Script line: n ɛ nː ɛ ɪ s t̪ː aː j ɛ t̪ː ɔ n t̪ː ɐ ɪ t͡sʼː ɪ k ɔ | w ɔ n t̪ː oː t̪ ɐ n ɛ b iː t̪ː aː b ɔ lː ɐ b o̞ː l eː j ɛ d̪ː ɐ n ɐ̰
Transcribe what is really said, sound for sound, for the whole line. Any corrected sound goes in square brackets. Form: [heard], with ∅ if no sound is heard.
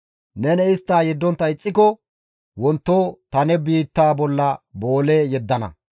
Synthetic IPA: n ɛ [n] ɛ ɪ s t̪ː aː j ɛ [d̪ː] ɔ n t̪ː ɐ ɪ t͡sʼː ɪ k ɔ | w ɔ n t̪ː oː t̪ ɐ n ɛ b iː t̪ː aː b ɔ lː ɐ b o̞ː l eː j ɛ d̪ː ɐ n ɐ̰